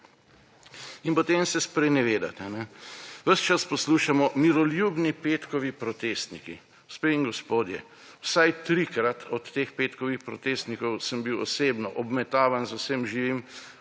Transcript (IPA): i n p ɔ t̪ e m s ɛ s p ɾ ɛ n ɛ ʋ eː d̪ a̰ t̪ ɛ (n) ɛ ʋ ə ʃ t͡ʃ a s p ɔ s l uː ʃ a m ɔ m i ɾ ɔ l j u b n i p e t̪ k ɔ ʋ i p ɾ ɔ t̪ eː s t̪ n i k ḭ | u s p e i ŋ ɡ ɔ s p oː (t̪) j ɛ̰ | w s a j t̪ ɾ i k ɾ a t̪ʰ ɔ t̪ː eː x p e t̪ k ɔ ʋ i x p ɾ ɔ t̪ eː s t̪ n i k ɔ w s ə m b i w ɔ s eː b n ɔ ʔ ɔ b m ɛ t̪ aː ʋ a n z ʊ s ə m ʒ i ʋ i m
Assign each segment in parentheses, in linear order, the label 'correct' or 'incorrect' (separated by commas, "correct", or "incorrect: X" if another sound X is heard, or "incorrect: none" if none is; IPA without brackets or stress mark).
correct, incorrect: d̪